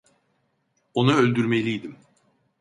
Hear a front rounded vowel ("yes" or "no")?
yes